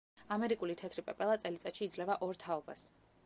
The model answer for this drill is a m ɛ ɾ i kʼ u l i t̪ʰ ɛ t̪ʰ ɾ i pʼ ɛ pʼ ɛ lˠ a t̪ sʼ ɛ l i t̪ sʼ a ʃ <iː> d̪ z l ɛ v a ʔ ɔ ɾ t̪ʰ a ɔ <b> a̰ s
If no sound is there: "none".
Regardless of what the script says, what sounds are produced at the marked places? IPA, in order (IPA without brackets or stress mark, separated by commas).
iː, b